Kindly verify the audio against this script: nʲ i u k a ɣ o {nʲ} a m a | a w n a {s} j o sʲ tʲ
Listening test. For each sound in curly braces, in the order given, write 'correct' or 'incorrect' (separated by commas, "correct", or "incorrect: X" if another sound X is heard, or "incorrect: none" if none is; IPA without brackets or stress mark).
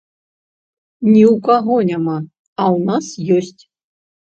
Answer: correct, correct